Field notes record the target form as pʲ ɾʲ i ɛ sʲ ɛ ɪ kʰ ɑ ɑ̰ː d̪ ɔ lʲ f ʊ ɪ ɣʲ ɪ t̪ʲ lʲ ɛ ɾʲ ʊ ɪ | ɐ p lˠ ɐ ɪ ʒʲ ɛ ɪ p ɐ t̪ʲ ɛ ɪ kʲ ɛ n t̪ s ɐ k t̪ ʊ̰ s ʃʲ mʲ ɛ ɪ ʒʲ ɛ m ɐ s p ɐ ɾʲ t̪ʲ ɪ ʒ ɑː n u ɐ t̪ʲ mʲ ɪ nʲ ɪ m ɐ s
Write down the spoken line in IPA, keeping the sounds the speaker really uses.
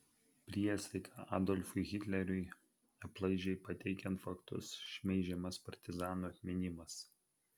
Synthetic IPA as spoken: pʲ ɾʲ i ɛ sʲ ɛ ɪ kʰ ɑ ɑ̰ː d̪ ɔ lʲ f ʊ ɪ ɣʲ ɪ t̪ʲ lʲ ɛ ɾʲ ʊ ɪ | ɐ p lˠ ɐ ɪ ʒʲ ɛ ɪ p ɐ t̪ʲ ɛ ɪ kʲ ɛ n t̪ f ɐ k t̪ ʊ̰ s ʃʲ mʲ ɛ ɪ ʒʲ ɛ m ɐ s p ɐ ɾʲ t̪ʲ ɪ z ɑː n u ɐ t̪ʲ mʲ ɪ nʲ ɪ m ɐ s